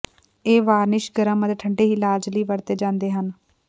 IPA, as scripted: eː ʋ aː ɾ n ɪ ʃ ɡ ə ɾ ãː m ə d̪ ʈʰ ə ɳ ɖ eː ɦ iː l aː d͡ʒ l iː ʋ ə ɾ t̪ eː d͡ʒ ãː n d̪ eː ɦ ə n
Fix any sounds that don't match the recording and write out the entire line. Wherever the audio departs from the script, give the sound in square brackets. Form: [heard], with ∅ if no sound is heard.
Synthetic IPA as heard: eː ʋ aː ɾ n ɪ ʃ ɡ ə ɾ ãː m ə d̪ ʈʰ ə ɳ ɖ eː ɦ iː l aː d͡ʒ l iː ʋ ə ɾ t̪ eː d͡ʒ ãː n d̪ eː ɦ ə n